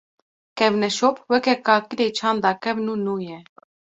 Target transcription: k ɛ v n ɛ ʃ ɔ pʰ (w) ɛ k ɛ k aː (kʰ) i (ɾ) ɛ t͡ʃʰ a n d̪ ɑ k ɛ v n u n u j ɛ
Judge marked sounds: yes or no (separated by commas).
yes, no, yes